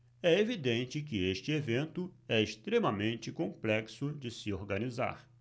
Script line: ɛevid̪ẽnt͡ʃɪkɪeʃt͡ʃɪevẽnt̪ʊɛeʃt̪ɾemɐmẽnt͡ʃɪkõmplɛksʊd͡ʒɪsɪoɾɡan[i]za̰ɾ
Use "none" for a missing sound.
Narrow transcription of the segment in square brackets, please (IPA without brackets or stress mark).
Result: i